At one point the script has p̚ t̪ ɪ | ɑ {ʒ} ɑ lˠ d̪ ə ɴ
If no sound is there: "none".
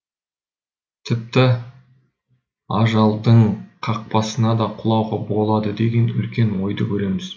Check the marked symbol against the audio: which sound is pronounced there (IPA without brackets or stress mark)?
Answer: ʒ